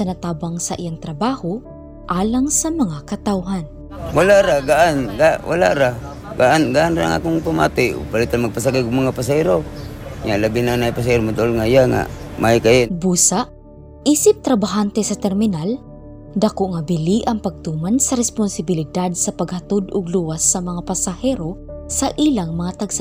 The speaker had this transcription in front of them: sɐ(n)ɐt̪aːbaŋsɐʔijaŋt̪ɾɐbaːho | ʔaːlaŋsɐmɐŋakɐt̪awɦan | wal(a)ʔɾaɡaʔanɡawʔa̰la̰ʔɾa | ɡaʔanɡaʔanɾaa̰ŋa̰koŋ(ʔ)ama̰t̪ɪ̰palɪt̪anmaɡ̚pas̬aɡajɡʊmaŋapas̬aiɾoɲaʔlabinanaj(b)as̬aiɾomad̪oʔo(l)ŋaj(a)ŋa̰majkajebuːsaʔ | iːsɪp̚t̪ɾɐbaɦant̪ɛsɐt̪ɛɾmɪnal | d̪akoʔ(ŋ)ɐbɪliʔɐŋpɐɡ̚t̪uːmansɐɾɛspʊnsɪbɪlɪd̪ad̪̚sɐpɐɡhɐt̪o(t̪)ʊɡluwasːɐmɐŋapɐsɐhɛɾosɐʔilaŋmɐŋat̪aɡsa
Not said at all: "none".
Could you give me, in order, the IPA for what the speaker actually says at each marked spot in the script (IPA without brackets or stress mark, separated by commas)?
n, a, p, p, l, a, ŋ, d̪